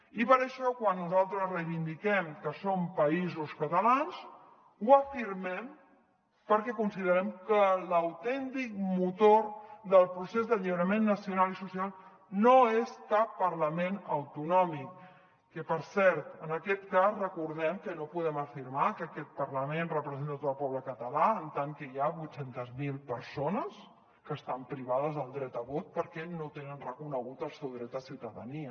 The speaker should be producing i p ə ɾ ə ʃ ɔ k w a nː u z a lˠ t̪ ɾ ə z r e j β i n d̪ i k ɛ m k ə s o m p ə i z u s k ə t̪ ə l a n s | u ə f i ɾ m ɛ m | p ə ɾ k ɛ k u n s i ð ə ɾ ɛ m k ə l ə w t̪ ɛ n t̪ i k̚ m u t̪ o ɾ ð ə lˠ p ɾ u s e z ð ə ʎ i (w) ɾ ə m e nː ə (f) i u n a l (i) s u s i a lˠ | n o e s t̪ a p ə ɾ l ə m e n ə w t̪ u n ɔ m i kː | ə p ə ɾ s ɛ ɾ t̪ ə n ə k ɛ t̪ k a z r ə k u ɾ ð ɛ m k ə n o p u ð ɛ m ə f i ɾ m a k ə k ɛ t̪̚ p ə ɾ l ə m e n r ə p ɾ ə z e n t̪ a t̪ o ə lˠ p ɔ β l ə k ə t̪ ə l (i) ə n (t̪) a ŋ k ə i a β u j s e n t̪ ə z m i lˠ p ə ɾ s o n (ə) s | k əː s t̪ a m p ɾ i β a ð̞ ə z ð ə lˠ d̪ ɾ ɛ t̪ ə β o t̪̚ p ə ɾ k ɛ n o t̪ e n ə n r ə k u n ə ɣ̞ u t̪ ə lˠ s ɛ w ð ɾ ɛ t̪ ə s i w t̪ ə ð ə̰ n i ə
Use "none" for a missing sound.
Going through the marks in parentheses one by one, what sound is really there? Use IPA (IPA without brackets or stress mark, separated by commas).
β, s, i, a, t̪, ə